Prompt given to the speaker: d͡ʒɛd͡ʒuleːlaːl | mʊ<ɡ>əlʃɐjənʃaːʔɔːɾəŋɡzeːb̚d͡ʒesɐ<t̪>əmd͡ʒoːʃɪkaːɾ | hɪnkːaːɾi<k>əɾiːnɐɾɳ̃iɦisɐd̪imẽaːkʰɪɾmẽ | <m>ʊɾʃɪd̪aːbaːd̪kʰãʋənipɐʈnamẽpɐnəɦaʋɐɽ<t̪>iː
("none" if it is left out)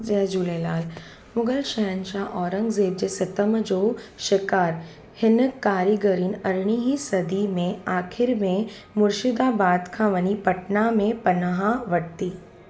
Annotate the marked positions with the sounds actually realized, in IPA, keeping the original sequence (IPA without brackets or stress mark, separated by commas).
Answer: ɡ, t̪, ɡ, m, t̪